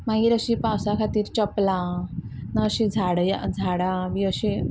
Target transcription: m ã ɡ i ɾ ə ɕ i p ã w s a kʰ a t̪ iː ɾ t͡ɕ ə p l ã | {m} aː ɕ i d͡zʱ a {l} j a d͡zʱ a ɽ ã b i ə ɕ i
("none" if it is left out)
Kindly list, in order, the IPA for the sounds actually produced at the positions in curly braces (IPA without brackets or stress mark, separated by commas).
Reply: n, ɽ